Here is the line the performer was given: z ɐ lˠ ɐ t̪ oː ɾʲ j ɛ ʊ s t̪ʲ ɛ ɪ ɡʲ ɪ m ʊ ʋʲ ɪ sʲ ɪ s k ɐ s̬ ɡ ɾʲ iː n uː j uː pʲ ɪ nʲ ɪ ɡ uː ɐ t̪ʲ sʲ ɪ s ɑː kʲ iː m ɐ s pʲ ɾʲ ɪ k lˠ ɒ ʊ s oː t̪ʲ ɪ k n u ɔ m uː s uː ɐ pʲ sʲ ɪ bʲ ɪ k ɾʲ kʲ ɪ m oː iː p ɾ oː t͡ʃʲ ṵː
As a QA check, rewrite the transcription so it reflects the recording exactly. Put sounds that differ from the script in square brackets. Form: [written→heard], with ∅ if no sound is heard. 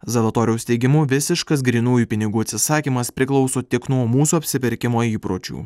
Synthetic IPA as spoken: z ɐ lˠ ɐ t̪ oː ɾʲ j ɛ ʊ s t̪ʲ ɛ ɪ ɡʲ ɪ m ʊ ʋʲ ɪ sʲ ɪ [s→ʃ] k ɐ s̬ ɡ ɾʲ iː n uː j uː pʲ ɪ nʲ ɪ ɡ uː ɐ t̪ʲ sʲ ɪ s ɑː kʲ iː m ɐ s pʲ ɾʲ ɪ k lˠ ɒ ʊ s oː t̪ʲ ɪ k n u ɔ m uː s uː ɐ pʲ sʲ ɪ [bʲ→pʲ] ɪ [k→∅] ɾʲ kʲ ɪ m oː iː p ɾ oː t͡ʃʲ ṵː